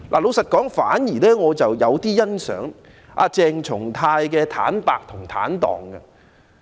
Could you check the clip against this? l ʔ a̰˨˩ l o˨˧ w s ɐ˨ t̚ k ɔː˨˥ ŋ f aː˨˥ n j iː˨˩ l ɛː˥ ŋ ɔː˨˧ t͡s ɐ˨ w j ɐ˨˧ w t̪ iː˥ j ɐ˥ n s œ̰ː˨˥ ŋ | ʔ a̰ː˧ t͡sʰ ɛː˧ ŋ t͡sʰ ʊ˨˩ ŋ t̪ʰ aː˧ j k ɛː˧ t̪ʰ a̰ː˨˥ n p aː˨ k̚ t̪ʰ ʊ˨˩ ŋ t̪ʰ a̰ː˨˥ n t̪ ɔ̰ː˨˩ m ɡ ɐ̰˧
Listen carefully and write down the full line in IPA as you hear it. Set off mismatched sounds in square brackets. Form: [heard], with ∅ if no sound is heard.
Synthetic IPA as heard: l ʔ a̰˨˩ l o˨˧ w s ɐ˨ t̚ k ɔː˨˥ ŋ f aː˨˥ n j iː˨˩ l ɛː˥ ŋ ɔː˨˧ t͡s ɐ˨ w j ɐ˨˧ w t̪ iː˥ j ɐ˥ n s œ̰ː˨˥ ŋ | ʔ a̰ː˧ [t͡s] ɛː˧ ŋ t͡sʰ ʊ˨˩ ŋ t̪ʰ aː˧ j k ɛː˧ t̪ʰ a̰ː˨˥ n p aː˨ k̚ t̪ʰ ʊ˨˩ ŋ t̪ʰ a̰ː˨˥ n t̪ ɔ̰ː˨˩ [ŋ] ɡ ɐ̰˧